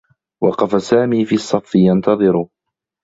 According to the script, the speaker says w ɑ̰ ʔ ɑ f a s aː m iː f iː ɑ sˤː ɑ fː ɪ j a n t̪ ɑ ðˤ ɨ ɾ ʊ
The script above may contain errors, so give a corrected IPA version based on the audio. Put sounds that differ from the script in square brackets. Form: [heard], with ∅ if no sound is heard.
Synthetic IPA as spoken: w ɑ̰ [q] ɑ f a s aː m iː f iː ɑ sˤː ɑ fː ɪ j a n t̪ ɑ ðˤ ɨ ɾ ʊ